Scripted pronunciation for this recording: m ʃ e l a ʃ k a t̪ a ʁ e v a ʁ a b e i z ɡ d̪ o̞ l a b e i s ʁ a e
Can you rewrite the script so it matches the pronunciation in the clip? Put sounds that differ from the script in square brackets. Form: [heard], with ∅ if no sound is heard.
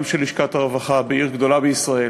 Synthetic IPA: m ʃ e l [i] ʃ k a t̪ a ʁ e v a [χ] a b e i [ʁ] ɡ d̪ o̞ l a b e i s ʁ a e